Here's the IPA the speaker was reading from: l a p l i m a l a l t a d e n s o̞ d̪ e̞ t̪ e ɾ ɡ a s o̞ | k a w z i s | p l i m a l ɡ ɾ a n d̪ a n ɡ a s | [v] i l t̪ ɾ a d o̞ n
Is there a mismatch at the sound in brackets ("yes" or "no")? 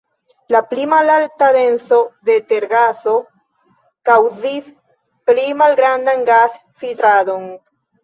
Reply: yes